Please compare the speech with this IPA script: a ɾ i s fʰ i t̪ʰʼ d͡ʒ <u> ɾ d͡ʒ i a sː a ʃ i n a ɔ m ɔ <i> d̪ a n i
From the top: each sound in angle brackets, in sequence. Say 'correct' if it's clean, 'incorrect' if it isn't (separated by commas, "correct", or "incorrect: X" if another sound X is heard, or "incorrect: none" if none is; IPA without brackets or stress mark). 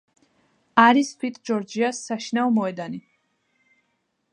incorrect: ɔ, incorrect: ɛ